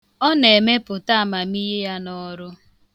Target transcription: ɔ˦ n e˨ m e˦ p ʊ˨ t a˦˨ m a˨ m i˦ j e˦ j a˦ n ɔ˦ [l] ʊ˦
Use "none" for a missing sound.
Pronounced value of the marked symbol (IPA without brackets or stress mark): ɾ